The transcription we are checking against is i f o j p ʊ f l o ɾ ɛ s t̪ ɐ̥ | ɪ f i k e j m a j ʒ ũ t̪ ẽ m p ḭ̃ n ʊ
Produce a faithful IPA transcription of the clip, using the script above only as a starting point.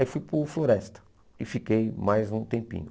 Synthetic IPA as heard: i f u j p ʊ f l o ɾ ɛ s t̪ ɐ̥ | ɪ f i k e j m a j z ũ t̪ ẽ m p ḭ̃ ɲ ʊ